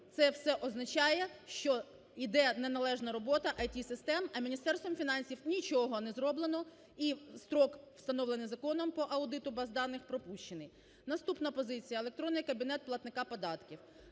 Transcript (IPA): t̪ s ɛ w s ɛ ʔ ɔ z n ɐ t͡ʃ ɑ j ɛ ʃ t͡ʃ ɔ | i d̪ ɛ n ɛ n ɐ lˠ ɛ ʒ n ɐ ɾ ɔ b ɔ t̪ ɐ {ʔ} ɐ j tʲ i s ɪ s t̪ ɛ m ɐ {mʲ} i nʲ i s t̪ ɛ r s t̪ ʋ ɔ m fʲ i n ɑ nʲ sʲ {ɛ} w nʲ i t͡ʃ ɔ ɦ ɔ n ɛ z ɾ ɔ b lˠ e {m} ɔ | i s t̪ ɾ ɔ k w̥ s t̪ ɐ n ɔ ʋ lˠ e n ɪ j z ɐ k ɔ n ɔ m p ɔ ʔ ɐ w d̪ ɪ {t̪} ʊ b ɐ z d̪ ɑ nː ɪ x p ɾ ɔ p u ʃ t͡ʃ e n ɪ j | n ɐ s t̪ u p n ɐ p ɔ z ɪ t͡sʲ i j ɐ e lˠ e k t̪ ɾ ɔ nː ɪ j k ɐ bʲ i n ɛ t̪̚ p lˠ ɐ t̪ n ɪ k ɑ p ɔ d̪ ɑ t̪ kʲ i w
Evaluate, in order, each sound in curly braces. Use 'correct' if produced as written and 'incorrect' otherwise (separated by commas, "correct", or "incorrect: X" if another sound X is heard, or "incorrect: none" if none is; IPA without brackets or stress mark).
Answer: correct, correct, incorrect: i, incorrect: n, correct